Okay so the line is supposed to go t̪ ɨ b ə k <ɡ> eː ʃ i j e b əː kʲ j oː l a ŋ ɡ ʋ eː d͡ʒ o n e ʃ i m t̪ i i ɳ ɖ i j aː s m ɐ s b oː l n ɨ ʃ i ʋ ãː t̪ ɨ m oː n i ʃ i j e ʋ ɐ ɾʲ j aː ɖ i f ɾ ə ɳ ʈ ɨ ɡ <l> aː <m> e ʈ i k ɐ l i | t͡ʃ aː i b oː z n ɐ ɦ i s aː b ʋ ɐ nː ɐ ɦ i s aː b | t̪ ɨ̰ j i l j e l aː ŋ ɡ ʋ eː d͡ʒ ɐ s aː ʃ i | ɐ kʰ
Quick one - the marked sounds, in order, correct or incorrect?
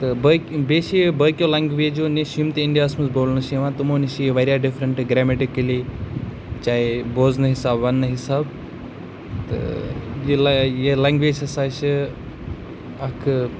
incorrect, incorrect, correct

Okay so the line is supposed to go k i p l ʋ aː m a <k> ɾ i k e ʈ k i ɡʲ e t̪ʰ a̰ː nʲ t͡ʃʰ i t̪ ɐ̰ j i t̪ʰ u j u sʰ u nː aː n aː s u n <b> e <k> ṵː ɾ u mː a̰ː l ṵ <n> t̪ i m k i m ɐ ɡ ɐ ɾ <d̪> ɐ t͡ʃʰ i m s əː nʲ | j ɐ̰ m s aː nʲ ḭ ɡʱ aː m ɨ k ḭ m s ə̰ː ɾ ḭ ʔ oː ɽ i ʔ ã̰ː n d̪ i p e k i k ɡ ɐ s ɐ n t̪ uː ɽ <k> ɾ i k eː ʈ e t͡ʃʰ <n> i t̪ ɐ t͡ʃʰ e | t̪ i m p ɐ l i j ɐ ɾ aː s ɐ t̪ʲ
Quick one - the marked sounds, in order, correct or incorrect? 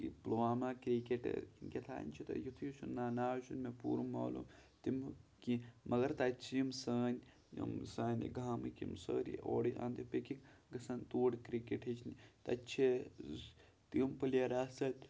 correct, incorrect, incorrect, incorrect, incorrect, correct, correct

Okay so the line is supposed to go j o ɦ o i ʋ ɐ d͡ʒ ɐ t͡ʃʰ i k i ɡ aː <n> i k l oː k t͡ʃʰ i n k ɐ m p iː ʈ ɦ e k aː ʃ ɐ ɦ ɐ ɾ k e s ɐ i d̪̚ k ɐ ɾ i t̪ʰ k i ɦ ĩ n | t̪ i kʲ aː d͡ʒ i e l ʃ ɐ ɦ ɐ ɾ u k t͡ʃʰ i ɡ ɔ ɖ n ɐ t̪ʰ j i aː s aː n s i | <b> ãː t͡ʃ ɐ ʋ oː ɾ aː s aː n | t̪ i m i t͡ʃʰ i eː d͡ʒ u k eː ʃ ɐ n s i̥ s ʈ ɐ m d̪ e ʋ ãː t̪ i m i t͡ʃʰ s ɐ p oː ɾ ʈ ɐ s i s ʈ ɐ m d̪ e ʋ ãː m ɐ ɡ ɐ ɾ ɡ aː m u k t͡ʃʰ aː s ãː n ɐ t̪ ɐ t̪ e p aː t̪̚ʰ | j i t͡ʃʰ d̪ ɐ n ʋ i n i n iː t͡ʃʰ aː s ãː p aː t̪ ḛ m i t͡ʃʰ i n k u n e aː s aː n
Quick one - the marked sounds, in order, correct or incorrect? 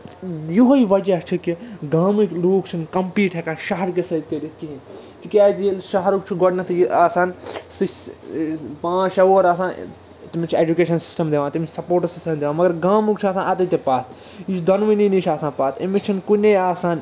incorrect, incorrect

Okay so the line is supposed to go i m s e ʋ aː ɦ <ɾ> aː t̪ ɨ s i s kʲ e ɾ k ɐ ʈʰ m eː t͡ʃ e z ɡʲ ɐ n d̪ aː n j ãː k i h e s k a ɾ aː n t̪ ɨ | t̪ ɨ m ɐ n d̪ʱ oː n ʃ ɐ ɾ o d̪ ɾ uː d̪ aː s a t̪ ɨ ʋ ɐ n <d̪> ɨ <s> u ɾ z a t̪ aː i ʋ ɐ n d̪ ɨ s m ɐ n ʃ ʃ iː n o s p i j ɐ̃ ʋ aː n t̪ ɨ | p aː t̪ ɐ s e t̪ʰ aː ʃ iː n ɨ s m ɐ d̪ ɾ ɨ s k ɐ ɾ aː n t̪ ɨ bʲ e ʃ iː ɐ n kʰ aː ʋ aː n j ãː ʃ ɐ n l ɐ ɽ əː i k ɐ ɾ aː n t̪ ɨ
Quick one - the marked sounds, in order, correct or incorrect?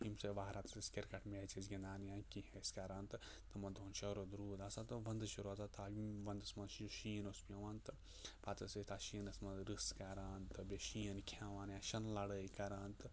correct, correct, incorrect

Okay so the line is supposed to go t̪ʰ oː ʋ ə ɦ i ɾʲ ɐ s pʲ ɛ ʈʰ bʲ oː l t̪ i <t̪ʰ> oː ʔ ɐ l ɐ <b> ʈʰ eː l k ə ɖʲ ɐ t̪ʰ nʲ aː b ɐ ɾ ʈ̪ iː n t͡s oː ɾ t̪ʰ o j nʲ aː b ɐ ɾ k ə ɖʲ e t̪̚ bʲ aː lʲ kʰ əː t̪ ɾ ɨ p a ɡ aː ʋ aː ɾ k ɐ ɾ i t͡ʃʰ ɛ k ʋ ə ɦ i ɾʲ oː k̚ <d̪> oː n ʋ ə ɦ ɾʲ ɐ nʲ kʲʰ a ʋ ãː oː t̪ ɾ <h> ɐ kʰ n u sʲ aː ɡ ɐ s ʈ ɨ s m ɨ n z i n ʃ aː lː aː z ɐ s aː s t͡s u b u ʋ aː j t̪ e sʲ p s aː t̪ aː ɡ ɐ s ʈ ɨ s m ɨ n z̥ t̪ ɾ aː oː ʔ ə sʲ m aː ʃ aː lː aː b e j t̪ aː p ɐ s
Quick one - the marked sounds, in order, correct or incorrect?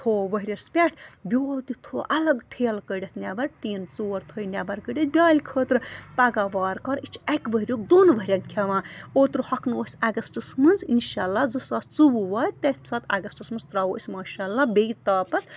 correct, incorrect, correct, correct

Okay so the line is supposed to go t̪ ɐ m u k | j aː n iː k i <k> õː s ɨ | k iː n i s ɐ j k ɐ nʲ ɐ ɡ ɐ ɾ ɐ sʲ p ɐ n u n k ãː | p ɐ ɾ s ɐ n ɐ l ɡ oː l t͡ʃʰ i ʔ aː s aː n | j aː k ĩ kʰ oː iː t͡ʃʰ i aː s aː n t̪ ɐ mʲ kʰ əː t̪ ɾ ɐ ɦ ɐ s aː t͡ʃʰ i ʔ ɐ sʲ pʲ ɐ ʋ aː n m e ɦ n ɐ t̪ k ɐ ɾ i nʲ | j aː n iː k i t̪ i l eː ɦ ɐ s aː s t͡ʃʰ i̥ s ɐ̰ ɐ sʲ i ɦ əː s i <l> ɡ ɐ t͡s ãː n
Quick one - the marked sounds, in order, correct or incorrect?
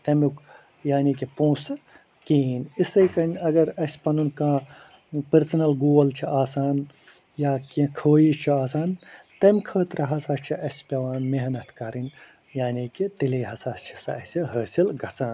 incorrect, correct

